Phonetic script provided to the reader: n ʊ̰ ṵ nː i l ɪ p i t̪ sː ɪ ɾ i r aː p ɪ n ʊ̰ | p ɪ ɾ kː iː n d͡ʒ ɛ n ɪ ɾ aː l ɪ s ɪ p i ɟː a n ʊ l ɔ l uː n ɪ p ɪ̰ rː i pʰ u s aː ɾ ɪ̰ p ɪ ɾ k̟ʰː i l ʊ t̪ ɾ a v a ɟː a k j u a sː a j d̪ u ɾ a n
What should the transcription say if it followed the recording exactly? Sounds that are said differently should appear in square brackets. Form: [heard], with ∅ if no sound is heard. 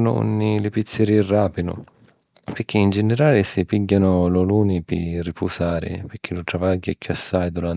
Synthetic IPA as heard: n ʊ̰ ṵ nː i l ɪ p i t̪ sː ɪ ɾ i r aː p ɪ n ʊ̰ | p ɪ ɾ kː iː n d͡ʒ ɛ n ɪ ɾ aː l ɪ s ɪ p i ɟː a n ʊ l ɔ l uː n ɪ p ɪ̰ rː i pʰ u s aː ɾ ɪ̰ p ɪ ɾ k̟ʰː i l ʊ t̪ ɾ a v a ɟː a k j u a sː a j d̪ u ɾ a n